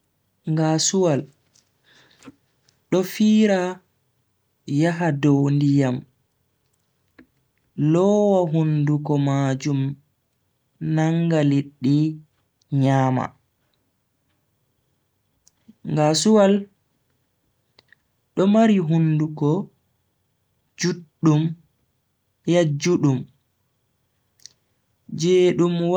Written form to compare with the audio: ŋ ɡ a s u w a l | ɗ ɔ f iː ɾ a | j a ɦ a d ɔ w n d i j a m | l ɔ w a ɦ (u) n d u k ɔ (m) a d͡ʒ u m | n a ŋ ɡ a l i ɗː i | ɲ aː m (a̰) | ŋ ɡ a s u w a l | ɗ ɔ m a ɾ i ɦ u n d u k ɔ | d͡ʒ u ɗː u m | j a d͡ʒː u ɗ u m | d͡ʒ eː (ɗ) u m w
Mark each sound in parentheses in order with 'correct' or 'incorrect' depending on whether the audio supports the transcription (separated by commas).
correct, correct, correct, correct